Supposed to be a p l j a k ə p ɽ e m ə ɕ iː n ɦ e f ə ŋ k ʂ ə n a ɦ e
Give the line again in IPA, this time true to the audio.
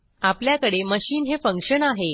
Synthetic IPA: a p l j a k ə ɽ e m ə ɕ iː n ɦ e f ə ŋ k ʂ ə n a ɦ e